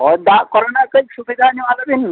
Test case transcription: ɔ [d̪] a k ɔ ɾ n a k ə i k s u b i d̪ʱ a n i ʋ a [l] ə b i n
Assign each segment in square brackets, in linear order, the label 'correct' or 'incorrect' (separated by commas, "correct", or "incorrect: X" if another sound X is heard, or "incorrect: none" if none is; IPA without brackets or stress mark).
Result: correct, correct